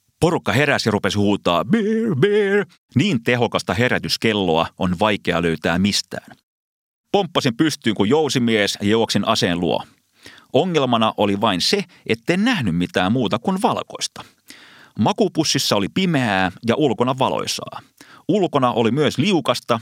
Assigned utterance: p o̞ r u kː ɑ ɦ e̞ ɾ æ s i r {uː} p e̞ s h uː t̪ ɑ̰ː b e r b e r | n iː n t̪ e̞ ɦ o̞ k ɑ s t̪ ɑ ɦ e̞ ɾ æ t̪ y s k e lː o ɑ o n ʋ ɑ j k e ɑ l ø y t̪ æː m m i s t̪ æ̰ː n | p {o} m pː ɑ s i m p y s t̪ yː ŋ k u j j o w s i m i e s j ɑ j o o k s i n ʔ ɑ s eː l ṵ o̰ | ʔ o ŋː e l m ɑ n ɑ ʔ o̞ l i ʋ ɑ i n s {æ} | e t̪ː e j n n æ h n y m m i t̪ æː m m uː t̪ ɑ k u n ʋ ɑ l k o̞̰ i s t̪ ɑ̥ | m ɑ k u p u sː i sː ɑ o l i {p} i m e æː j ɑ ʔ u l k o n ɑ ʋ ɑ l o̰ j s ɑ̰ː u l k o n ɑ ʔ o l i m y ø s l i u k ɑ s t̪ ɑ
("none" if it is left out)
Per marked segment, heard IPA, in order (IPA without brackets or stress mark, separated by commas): u, o, e, p